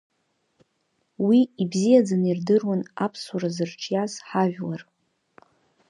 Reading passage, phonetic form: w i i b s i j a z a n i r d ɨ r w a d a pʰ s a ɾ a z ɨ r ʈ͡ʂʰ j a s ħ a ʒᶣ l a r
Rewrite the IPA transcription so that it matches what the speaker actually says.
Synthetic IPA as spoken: w i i b z i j a d͡z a n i r d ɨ r w a n a pʰ s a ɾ a z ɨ r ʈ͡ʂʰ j a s ħ a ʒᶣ l a r